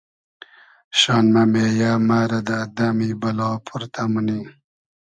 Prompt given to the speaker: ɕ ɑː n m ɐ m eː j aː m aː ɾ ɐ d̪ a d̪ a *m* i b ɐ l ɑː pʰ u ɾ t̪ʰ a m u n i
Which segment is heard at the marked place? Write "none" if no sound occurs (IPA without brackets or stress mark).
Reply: m